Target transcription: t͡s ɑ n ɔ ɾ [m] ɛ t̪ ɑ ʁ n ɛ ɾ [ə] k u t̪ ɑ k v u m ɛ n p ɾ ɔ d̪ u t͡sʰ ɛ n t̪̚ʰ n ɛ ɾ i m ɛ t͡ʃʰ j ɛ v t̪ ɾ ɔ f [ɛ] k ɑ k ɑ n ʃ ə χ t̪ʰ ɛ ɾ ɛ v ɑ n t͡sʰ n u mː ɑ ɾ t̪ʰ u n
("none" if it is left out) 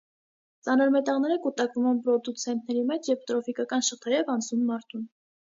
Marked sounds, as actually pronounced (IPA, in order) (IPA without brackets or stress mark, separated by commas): m, ə, i